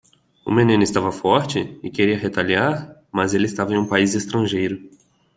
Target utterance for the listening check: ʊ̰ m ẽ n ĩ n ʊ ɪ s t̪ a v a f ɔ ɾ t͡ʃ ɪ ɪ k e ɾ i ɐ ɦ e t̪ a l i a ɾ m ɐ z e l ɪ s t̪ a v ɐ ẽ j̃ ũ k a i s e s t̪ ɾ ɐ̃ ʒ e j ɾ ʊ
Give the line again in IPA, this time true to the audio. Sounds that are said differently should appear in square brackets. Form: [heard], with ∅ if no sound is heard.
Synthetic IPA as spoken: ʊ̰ m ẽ n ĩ n ʊ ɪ s t̪ a v [ɐ] f ɔ ɾ t͡ʃ ɪ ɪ k e ɾ i ɐ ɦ e t̪ a l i a ɾ m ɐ z e l ɪ s t̪ a v ɐ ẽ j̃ ũ [p] a i [z] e s t̪ ɾ ɐ̃ ʒ e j ɾ ʊ